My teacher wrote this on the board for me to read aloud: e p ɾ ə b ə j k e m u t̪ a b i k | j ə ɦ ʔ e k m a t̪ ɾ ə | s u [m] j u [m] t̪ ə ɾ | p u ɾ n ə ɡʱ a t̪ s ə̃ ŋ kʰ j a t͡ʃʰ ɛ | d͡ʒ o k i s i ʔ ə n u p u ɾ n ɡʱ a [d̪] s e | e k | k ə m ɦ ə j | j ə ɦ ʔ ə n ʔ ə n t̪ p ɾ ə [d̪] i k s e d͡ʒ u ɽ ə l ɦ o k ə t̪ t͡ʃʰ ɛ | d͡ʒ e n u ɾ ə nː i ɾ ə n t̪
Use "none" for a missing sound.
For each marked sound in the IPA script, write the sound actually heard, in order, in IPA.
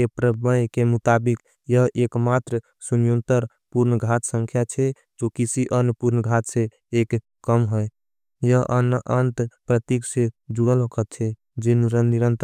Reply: n, n, t̪, t̪

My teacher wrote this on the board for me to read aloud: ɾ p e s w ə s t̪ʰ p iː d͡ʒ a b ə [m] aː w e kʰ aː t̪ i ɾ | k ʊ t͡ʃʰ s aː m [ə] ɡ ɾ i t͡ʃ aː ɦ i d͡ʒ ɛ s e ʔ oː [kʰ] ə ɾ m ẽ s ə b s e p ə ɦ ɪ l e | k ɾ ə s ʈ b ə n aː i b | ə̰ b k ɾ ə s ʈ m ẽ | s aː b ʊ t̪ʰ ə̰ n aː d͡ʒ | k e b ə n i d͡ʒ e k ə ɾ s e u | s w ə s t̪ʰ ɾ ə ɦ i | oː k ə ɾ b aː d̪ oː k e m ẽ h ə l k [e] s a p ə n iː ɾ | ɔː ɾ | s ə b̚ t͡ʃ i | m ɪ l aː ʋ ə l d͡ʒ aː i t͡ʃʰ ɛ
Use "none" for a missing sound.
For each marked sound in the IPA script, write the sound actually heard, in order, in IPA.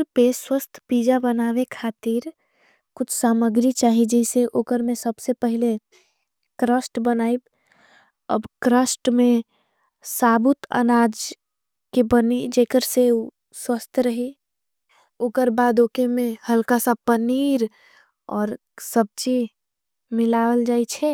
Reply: n, ə, k, a

